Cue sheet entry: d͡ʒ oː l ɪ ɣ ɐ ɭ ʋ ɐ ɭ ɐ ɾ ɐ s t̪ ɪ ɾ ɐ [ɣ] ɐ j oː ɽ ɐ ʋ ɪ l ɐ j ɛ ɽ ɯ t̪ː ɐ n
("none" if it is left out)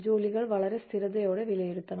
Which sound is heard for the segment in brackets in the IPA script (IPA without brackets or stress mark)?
ð